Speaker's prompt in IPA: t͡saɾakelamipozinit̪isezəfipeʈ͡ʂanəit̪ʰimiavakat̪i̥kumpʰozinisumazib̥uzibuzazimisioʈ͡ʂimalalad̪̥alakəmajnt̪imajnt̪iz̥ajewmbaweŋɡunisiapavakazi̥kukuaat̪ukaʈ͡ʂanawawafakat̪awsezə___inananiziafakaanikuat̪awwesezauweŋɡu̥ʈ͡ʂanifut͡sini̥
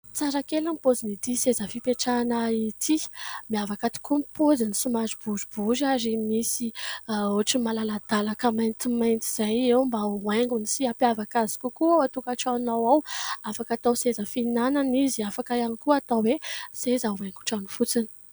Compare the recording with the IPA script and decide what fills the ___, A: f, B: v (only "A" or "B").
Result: A